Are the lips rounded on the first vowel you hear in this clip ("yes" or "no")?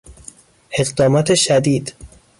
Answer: no